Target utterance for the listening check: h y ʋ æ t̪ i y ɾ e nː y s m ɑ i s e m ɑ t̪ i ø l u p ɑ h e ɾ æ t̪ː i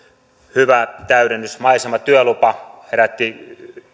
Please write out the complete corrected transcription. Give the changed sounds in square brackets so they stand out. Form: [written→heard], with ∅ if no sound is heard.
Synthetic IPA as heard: h y ʋ æ t̪ [i→æ] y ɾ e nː y s m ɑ i s e m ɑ t̪ [i→y] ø l u p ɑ h e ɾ æ t̪ː i